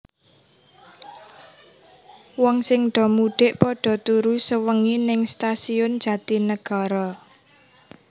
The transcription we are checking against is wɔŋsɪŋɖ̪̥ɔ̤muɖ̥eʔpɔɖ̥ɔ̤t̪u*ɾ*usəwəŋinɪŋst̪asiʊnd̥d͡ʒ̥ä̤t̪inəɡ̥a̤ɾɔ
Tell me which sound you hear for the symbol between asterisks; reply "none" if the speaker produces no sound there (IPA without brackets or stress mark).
ɾ